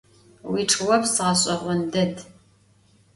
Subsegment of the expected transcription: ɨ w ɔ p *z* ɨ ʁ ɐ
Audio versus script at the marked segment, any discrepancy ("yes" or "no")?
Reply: yes